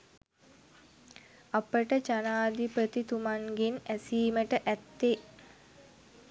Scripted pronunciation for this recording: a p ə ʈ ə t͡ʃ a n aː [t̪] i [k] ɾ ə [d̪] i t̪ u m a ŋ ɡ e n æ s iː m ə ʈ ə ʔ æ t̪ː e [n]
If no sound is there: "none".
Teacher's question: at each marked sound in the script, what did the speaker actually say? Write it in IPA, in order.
d̪, p, t̪, none

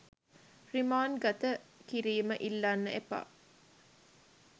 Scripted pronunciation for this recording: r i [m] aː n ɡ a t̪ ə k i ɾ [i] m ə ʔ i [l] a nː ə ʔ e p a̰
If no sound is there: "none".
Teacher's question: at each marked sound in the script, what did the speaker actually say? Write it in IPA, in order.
m, iː, lː

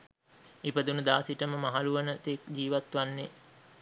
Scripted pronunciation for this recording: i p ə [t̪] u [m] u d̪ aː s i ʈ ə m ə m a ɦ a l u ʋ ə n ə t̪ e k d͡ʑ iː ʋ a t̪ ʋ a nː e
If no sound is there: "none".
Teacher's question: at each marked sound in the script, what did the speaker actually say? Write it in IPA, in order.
d̪, n

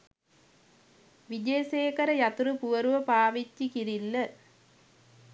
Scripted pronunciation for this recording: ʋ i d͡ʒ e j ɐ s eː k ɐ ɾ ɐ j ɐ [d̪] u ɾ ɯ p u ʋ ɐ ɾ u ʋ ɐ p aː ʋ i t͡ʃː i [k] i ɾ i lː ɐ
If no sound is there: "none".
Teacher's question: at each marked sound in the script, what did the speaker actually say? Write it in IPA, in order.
t̪, k

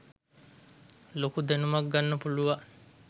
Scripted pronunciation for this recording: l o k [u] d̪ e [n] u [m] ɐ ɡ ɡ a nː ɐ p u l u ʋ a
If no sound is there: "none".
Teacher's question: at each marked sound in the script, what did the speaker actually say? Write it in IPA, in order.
u, n, m

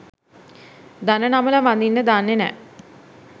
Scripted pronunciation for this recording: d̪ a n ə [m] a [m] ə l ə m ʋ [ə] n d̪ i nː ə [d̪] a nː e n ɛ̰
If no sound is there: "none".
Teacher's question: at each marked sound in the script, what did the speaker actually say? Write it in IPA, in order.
n, m, a, d̪

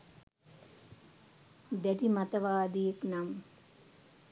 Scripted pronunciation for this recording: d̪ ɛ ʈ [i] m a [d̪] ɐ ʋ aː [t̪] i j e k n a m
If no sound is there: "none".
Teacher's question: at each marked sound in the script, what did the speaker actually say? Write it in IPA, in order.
i, t̪, d̪

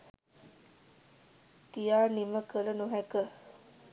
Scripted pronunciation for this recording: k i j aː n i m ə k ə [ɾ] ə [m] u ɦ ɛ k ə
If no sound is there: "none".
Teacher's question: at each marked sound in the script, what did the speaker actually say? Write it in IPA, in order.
l, n

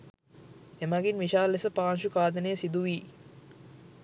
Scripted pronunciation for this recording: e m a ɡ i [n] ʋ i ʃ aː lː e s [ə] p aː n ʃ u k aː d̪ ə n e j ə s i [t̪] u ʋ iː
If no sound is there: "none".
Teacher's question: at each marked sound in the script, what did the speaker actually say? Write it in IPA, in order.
n, ə, d̪

